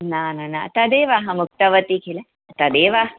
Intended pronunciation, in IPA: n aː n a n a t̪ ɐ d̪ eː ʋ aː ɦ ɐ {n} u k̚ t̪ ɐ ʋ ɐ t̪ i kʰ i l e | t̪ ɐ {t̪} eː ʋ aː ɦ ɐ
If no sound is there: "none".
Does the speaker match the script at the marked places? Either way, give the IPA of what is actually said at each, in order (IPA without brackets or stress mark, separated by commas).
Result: m, d̪